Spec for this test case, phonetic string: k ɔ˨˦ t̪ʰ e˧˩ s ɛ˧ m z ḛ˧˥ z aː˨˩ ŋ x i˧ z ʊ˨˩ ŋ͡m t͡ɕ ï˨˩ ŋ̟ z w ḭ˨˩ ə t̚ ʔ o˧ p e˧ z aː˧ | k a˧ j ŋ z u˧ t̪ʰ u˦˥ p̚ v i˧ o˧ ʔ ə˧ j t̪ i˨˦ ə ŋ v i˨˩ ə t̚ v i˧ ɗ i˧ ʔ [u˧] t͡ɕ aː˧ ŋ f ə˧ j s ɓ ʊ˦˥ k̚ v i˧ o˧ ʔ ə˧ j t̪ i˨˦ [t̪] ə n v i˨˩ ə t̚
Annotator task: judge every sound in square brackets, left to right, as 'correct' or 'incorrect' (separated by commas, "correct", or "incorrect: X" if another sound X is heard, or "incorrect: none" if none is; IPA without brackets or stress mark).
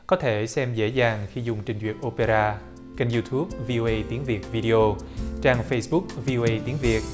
incorrect: o˧, incorrect: none